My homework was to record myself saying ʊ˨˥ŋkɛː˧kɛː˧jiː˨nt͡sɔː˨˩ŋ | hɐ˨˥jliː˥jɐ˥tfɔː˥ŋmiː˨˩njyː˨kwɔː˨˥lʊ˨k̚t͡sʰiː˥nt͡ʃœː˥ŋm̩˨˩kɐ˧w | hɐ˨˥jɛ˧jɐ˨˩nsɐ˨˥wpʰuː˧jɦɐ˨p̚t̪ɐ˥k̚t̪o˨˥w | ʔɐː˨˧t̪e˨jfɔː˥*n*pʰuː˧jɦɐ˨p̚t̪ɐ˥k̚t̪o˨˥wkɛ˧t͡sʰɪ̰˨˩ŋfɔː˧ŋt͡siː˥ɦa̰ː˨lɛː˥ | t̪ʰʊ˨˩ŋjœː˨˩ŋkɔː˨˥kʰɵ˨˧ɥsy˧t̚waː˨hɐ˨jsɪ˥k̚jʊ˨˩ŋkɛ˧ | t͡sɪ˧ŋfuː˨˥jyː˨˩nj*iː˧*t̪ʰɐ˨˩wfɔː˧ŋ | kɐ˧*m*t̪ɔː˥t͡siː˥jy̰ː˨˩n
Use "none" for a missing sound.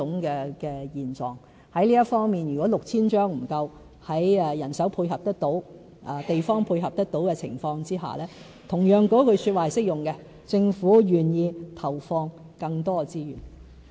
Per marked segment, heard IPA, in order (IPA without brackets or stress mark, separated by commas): ŋ, iː˧, ŋ